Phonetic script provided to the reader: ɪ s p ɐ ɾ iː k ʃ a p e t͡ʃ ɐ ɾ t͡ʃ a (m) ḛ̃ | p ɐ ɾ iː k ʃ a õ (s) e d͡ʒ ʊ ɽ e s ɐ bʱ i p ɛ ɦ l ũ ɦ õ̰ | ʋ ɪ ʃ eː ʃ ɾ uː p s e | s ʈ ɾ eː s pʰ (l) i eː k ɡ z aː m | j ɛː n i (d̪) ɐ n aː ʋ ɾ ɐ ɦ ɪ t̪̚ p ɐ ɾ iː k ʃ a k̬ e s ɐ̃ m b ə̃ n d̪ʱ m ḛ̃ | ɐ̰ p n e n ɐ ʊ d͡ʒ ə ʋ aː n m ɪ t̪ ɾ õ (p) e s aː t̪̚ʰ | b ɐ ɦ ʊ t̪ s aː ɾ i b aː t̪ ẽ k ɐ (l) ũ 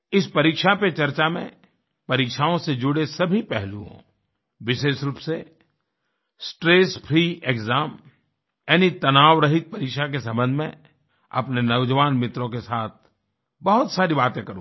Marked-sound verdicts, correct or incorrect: correct, correct, incorrect: ɾ, incorrect: t̪, incorrect: k, incorrect: ɾ

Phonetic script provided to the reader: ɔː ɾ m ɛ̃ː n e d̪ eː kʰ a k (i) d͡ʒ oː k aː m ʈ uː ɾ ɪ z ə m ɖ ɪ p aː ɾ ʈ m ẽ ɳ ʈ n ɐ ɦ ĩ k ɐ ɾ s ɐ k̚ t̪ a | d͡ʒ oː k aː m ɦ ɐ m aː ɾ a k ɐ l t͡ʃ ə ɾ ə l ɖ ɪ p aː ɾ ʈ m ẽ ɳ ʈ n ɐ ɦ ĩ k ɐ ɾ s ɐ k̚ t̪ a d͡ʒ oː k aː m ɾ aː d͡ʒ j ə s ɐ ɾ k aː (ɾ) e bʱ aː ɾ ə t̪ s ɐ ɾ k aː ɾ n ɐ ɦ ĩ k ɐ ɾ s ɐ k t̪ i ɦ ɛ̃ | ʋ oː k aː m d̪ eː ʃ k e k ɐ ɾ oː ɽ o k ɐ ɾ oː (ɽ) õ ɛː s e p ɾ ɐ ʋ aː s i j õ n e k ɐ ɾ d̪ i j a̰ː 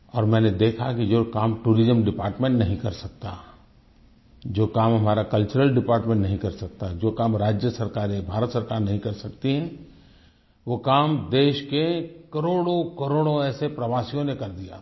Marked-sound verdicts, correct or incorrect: correct, correct, correct

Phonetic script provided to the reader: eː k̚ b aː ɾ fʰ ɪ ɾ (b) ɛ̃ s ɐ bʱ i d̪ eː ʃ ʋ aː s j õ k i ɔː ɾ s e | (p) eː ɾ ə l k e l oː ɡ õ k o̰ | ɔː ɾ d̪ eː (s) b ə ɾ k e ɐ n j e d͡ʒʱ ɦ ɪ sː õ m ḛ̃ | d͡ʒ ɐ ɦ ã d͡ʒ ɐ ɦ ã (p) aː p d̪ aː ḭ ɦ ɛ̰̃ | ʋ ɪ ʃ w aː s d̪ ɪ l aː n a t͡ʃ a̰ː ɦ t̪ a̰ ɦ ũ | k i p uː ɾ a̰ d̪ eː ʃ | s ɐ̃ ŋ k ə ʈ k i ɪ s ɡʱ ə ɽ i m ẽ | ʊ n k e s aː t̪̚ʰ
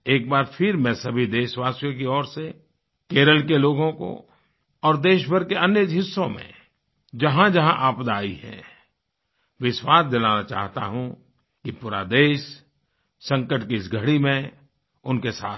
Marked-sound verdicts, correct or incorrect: incorrect: m, incorrect: k, incorrect: ʃ, incorrect: ʔ

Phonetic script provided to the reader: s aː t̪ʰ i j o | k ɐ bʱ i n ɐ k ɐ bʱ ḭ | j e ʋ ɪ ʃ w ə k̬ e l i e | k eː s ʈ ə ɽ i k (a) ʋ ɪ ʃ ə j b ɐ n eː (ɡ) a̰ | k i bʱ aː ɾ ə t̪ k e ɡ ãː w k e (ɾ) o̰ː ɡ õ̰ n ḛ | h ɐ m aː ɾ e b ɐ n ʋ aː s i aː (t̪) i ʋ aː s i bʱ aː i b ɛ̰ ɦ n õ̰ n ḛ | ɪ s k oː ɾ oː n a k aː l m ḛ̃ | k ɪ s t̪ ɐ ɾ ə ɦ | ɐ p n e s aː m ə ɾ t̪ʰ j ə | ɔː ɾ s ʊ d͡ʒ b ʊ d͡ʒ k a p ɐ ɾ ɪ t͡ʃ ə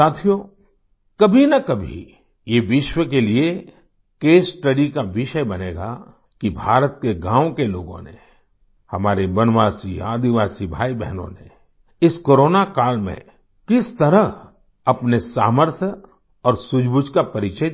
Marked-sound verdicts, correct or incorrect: correct, correct, incorrect: l, incorrect: d̪

